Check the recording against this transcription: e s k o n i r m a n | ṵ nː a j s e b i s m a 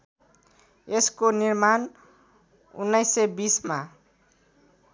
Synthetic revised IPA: e s k o n i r m a n | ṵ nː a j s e b i s m a